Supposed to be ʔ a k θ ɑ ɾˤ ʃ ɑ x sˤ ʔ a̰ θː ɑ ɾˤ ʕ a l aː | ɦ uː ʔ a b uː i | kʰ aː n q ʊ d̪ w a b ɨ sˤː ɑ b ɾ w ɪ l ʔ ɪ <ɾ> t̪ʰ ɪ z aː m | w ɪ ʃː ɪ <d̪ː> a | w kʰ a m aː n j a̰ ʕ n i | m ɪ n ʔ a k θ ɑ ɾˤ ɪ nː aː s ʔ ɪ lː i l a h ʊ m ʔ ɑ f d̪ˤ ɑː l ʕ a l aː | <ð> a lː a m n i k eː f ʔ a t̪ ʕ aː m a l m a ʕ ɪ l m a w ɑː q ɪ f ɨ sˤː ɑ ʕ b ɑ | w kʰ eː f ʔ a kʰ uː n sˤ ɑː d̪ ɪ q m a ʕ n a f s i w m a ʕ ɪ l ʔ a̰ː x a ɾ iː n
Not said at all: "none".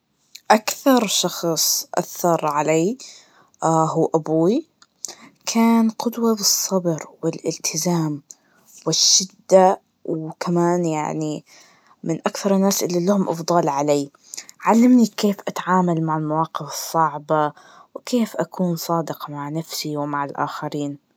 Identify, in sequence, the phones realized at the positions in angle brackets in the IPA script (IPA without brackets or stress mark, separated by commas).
l, d̪ː, ʕ